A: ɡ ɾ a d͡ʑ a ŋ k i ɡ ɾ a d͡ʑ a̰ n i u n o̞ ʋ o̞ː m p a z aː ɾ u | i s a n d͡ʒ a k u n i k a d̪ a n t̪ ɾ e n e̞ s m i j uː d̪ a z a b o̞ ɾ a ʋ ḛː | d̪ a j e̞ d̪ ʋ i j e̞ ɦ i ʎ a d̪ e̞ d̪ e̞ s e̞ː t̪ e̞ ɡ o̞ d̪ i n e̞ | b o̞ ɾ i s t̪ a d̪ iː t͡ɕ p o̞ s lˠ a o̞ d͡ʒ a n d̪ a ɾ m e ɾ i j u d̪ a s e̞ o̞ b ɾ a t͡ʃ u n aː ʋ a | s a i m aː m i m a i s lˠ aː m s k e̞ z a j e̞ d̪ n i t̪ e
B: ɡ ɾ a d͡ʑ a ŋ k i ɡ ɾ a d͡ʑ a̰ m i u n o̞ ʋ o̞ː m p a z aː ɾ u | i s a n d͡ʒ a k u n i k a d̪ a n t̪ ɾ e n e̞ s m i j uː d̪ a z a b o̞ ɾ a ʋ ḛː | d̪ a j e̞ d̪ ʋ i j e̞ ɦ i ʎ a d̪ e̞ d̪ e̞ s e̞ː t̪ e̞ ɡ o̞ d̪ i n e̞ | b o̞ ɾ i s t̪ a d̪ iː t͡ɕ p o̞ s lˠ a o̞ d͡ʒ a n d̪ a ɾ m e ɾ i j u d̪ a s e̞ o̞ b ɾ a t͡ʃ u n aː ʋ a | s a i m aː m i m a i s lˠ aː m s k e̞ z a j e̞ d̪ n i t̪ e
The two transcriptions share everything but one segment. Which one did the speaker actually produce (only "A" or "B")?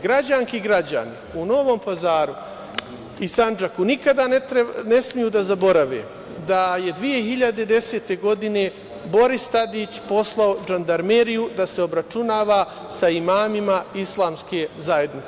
A